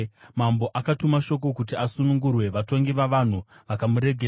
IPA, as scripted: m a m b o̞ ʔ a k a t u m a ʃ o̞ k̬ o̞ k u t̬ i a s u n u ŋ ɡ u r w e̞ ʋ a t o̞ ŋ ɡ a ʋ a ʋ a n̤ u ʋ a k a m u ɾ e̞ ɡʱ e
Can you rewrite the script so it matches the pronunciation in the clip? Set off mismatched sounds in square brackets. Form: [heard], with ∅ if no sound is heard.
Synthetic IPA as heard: m a m b o̞ ʔ a k a t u m a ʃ o̞ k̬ o̞ k u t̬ i a s u n u ŋ ɡ u r w e̞ ʋ a t o̞ ŋ ɡ [i] ʋ a ʋ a n̤ u ʋ a k a m u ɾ e̞ ɡʱ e